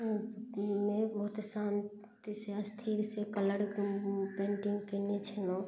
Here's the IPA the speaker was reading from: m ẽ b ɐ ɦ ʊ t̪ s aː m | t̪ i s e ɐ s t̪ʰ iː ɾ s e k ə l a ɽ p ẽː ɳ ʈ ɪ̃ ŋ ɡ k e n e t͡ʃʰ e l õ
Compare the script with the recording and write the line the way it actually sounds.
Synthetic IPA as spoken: m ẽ b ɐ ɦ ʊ t̪ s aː n | t̪ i s e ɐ s t̪ʰ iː ɾ s e k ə l ə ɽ p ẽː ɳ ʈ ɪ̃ ŋ ɡ k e n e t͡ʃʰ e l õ

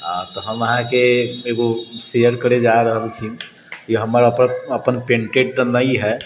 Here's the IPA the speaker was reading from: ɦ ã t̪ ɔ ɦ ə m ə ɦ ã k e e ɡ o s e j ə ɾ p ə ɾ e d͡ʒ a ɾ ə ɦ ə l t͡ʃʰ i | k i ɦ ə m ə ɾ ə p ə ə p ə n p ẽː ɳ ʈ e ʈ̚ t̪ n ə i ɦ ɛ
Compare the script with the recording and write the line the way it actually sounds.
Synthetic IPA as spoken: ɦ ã t̪ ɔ ɦ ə m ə ɦ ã k e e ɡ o s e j ə ɾ k ə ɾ e d͡ʒ a ɾ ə ɦ ə l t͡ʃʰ i | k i ɦ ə m ə ɾ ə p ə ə p ə n p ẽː ɳ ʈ e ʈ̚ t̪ n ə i ɦ ɛ

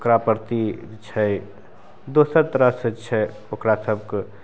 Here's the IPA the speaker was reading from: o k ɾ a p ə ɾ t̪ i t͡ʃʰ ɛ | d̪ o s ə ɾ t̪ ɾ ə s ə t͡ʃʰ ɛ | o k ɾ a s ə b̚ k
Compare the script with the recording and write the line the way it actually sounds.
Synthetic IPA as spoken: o k ɾ a p ə ɾ t̪ i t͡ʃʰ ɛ | d̪ o s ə ɾ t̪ ɾ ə s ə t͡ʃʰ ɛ | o k ɾ a s ə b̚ k

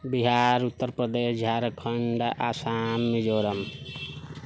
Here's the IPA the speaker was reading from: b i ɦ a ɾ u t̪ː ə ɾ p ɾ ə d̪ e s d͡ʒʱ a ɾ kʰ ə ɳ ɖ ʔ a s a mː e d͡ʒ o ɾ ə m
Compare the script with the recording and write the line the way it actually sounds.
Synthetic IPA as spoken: b i ɦ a ɾ u t̪ː ə ɾ p ɾ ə d̪ e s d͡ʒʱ a ɾ kʰ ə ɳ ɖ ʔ a s a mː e d͡ʒ o ɾ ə m

